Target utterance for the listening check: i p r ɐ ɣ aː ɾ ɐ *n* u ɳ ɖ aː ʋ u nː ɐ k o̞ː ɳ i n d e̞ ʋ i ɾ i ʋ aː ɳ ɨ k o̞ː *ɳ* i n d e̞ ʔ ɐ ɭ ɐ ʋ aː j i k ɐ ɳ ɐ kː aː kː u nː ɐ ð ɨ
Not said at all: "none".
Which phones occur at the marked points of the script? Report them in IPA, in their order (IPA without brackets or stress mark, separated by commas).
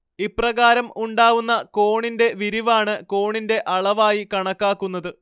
m, ɳ